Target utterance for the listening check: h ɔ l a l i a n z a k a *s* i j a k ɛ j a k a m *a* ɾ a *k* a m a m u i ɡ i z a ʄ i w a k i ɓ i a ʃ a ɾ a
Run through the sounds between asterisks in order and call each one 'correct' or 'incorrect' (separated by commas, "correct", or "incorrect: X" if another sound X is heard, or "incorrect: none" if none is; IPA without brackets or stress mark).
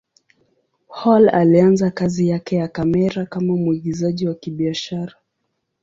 incorrect: z, incorrect: ɛ, correct